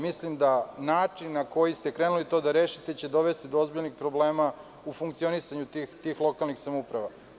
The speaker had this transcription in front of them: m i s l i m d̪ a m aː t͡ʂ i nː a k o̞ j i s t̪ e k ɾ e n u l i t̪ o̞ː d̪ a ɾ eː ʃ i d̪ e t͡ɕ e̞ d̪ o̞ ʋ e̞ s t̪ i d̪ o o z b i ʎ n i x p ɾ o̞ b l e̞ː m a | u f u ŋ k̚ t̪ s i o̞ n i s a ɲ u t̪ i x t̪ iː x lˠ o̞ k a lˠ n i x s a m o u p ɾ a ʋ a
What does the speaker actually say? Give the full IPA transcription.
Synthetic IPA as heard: m i s l i m d̪ a n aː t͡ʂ i nː a k o̞ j i s t̪ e k ɾ e n u l i t̪ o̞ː d̪ a ɾ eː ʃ i t̪ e t͡ɕ e̞ d̪ o̞ ʋ e̞ s t̪ i d̪ o o z b i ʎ n i x p ɾ o̞ b l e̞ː m a | u f u ŋ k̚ t̪ s i o̞ n i s a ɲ u t̪ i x t̪ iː x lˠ o̞ k a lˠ n i x s a m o u p ɾ a ʋ a